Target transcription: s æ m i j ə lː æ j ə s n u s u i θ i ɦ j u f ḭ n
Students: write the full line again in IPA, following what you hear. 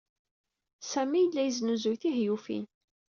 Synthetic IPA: s æ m i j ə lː æ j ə z n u z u j θ i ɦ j u f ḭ n